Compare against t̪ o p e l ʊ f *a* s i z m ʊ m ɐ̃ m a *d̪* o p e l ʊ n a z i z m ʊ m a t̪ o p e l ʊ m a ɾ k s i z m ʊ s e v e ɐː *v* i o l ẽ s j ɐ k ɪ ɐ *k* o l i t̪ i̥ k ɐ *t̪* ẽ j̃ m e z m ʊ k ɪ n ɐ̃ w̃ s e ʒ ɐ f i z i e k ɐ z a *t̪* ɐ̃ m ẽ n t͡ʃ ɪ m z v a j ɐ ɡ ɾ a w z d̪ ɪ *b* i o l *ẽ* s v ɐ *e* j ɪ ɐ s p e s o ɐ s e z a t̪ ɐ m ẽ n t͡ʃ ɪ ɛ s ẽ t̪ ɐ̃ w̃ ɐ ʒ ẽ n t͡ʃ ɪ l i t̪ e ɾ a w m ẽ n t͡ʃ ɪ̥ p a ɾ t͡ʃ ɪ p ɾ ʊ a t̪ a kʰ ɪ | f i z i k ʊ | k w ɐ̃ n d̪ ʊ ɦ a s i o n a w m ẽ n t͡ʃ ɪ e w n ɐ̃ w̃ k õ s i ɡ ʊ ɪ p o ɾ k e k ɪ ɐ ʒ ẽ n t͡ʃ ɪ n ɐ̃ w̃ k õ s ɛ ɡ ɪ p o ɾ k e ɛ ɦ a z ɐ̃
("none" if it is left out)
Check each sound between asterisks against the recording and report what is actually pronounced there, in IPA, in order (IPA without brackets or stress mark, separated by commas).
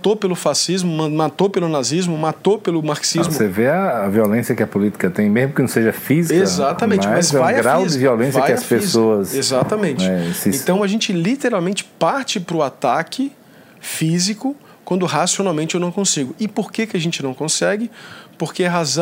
a, t̪, v, p, t̪, t̪, v, ẽ, a